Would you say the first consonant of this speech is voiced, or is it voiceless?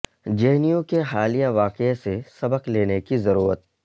voiced